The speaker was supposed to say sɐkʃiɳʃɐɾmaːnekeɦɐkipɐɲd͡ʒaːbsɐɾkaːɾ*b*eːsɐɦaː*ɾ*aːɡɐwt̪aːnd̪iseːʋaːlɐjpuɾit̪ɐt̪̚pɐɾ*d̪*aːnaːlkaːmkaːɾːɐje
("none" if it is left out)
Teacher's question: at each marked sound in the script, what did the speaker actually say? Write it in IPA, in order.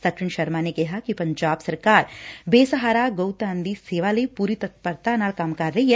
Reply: b, ɾ, t̪

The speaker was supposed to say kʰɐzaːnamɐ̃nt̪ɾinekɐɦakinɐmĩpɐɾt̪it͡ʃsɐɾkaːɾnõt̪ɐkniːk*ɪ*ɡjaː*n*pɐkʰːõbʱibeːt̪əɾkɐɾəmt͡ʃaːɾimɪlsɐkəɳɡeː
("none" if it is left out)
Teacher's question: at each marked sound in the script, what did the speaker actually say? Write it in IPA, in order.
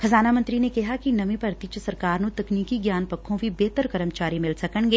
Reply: i, n

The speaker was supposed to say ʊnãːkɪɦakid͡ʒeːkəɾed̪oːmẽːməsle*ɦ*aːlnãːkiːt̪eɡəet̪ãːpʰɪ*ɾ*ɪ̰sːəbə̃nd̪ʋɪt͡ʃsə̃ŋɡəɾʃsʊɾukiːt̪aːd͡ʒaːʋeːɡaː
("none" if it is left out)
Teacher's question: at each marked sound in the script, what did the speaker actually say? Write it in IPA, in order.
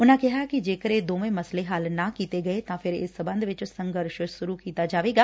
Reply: ɦ, ɾ

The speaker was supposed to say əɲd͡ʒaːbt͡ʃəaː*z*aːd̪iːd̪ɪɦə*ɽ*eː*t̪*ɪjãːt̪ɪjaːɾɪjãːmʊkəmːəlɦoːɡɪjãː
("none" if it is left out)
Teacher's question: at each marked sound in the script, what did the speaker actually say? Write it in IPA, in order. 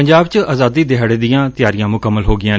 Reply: z, ɽ, d̪

